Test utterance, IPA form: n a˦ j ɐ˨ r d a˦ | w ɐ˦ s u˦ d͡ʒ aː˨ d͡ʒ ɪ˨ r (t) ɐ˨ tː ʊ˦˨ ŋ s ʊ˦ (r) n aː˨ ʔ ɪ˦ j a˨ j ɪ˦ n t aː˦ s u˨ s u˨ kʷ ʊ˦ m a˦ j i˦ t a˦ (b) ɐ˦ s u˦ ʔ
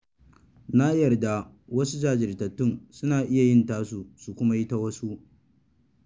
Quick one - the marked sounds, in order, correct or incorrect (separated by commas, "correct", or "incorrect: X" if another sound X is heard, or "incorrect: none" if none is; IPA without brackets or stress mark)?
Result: correct, incorrect: none, incorrect: w